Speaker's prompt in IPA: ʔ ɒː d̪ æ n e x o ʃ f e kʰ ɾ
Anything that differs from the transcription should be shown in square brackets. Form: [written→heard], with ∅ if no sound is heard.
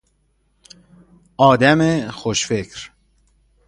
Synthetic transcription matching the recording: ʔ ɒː d̪ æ [n→m] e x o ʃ f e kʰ ɾ

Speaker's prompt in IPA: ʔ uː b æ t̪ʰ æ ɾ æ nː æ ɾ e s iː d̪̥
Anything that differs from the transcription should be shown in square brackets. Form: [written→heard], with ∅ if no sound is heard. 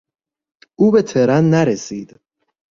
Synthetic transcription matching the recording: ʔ uː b [æ→e] t̪ʰ [æ→e] ɾ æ nː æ ɾ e s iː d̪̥

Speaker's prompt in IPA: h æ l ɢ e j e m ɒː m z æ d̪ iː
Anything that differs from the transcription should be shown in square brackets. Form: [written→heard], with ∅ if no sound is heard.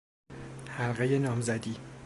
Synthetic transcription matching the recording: h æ l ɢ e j e [m→n] ɒː m z æ d̪ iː

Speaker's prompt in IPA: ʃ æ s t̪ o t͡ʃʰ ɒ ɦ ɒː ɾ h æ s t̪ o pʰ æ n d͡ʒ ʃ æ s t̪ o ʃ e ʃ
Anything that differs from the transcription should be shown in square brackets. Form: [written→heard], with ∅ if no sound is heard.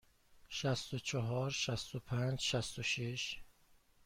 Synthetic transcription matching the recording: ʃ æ s t̪ o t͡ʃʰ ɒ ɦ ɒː ɾ [h→ʃ] æ s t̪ o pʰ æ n d͡ʒ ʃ æ s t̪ o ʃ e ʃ

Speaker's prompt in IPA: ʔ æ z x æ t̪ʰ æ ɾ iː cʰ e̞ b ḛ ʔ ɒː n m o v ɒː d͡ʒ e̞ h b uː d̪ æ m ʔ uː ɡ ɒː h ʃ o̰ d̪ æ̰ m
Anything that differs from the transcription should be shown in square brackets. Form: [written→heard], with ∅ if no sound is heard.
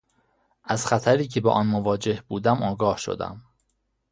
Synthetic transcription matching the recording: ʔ æ z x æ t̪ʰ æ ɾ iː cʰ e̞ b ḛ ʔ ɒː n m o v ɒː d͡ʒ e̞ h b uː d̪ æ m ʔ [uː→ɒː] ɡ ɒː h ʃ o̰ d̪ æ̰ m

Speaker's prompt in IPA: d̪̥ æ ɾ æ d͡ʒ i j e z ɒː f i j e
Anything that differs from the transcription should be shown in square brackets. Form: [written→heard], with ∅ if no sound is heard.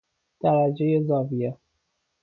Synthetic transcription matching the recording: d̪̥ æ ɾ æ d͡ʒ [i→e] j e z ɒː [f→v] i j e

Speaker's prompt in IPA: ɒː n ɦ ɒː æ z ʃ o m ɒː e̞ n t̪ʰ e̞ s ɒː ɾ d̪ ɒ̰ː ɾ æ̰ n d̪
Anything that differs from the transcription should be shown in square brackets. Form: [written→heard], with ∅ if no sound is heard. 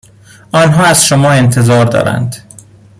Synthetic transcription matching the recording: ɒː n ɦ ɒː æ z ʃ o m ɒː e̞ n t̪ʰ e̞ [s→z] ɒː ɾ d̪ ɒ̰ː ɾ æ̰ n d̪

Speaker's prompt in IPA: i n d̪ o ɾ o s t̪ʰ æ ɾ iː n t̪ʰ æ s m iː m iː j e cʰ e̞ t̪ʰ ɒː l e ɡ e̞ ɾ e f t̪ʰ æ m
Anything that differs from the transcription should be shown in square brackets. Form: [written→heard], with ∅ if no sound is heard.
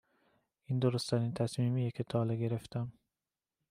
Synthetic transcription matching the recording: i n d̪ o ɾ o s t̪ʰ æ ɾ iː n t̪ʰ æ s m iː m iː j e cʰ e̞ t̪ʰ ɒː l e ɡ e̞ ɾ e f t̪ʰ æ m

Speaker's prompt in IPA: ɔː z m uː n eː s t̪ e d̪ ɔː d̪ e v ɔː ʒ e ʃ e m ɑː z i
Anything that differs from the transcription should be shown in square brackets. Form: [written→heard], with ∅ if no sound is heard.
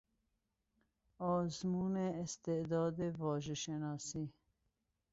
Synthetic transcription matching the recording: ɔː z m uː n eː s t̪ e d̪ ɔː d̪ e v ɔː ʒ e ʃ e [m→n] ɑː [z→s] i

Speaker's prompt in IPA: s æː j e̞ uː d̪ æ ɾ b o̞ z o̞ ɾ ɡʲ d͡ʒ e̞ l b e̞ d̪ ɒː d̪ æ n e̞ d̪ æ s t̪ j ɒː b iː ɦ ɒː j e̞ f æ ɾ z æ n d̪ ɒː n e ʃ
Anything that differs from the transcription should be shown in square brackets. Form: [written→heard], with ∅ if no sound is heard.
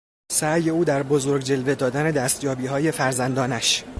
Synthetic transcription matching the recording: s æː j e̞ uː d̪ æ ɾ b o̞ z o̞ ɾ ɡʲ d͡ʒ e̞ l [b→v] e̞ d̪ ɒː d̪ æ n e̞ d̪ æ s t̪ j ɒː b iː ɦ ɒː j e̞ f æ ɾ z æ n d̪ ɒː n [e→æ] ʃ

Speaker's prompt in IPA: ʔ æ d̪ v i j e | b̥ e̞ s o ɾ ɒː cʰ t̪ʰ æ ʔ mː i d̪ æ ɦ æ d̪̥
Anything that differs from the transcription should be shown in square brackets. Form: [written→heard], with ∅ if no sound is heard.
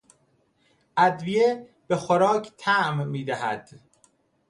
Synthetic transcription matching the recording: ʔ æ d̪ v i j e | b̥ e̞ [s→x] o ɾ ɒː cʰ t̪ʰ æ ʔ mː [i→iː] d̪ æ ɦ æ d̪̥

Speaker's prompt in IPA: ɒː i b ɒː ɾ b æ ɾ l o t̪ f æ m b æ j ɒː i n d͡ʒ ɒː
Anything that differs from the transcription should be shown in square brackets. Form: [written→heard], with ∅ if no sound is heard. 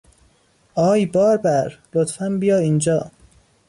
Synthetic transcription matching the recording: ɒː [i→j] b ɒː ɾ b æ ɾ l o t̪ f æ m b [æ→i] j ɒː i n d͡ʒ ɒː

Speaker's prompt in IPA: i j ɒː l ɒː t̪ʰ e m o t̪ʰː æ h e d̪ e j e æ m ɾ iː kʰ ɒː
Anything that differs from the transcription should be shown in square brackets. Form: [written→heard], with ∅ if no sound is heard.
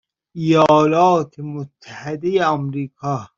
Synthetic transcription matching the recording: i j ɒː l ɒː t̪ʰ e m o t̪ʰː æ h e d̪ e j e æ m ɾ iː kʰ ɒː

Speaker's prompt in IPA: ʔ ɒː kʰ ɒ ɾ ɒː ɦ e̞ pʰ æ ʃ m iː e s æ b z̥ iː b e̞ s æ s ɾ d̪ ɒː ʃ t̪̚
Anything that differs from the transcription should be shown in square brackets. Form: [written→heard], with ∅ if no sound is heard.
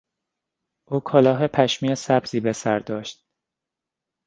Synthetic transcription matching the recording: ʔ [ɒː→uː] kʰ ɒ [ɾ→l] ɒː ɦ e̞ pʰ æ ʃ m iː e s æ b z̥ iː b e̞ s æ [s→∅] ɾ d̪ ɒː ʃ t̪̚

